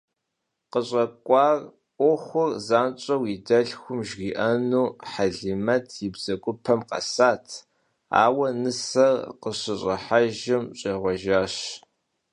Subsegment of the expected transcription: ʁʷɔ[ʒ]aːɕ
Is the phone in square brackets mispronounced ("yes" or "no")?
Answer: no